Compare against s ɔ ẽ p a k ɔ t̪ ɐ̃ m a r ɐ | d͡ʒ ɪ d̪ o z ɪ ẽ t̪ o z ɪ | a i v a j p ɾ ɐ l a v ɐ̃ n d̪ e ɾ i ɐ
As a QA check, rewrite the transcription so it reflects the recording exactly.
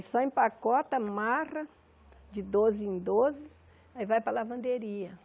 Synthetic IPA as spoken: s ɔ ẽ p a k ɔ t̪ ɐ m a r ɐ | d͡ʒ ɪ d̪ o z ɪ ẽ d̪ o z ɪ | a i v a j p ɾ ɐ l a v ɐ̃ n d̪ e ɾ i ɐ